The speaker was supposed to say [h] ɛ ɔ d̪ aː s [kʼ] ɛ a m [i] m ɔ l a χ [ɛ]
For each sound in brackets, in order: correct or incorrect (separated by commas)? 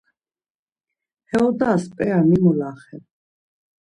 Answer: correct, incorrect, correct, correct